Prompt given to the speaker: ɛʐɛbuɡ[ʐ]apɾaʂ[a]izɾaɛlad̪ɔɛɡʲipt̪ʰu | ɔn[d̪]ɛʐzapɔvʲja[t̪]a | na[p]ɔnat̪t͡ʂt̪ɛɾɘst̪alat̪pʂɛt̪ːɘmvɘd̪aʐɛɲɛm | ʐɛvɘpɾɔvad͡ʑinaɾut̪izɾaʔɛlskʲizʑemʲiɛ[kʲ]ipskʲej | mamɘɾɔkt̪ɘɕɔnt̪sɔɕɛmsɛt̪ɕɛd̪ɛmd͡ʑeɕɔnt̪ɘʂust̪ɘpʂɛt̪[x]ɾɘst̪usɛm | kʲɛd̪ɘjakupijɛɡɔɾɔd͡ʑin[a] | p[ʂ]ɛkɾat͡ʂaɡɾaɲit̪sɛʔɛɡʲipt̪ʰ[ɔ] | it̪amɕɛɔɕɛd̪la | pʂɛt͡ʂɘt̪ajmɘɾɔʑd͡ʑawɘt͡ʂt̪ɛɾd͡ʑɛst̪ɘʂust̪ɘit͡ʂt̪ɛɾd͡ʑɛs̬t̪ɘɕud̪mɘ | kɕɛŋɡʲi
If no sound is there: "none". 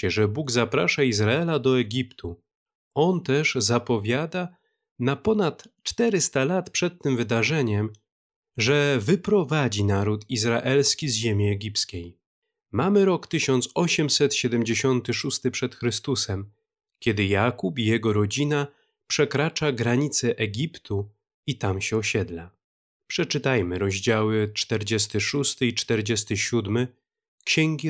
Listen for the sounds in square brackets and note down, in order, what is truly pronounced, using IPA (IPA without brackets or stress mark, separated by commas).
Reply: z, a, t̪, d̪, p, ɡʲ, x, a, ʂ, u